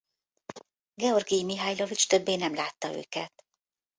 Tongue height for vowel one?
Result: mid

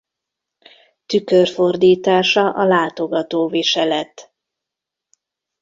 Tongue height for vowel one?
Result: high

